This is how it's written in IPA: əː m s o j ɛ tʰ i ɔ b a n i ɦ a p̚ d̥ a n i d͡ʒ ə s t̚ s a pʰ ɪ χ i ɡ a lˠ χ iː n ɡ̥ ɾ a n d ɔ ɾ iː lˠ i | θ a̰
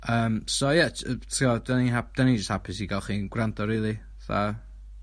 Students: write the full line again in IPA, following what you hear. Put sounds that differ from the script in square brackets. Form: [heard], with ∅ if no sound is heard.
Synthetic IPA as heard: əː m s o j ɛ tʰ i ɔ [d] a n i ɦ a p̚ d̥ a n i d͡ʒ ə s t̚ [h] a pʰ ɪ [s] i ɡ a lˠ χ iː n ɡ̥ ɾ a n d ɔ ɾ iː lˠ i | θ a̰